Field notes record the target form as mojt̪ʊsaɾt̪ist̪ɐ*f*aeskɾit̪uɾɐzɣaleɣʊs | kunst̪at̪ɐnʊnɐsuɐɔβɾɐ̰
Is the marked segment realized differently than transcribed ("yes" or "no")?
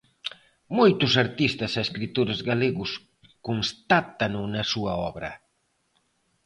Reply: yes